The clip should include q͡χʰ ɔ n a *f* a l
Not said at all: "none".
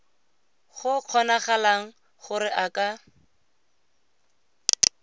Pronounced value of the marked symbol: χ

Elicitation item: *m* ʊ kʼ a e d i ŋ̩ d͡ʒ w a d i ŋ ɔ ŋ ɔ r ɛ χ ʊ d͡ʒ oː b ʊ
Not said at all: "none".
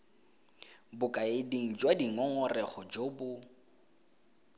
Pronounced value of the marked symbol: b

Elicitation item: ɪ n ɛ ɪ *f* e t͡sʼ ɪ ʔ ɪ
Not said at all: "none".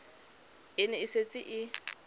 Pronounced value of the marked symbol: s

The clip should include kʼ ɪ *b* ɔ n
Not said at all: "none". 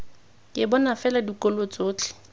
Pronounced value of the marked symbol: b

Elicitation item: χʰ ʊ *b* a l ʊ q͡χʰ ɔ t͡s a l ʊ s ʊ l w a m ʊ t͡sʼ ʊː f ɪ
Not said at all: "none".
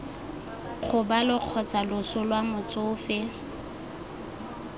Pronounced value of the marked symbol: b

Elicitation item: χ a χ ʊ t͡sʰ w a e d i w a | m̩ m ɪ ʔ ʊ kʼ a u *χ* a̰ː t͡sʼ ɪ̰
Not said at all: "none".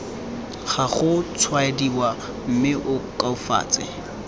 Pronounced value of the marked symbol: f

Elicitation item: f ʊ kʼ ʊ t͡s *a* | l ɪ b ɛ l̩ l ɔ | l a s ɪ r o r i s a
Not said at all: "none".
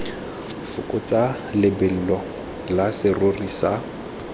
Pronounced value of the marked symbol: a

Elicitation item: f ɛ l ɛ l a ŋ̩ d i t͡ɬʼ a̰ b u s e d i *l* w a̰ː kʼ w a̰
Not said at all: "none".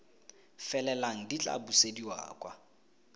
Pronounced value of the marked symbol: none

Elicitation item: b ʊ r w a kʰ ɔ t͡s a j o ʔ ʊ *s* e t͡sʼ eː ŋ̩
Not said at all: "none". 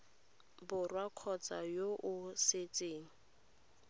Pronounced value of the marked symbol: s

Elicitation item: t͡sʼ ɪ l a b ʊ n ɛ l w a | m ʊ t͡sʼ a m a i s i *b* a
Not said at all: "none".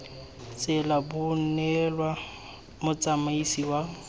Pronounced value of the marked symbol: w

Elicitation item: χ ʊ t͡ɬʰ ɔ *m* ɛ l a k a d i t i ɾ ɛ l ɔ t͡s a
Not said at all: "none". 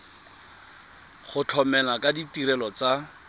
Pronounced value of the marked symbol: m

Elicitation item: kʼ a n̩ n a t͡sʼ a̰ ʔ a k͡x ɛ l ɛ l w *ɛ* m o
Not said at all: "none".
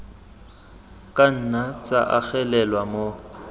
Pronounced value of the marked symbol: a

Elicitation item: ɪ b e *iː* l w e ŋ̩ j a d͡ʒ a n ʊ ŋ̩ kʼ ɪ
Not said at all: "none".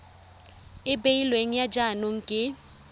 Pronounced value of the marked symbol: i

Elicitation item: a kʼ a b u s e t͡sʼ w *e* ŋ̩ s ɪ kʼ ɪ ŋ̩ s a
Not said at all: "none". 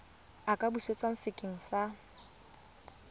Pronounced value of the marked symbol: a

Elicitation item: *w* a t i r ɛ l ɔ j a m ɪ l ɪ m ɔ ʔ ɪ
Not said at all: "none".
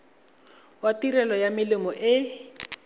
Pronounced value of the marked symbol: w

